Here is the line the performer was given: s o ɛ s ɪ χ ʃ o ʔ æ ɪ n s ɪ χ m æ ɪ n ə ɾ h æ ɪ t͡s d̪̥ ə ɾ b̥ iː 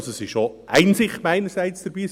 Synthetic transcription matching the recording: s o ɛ s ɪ ʃ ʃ o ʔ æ ɪ n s ɪ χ m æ ɪ n ə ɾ s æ ɪ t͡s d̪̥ ə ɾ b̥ iː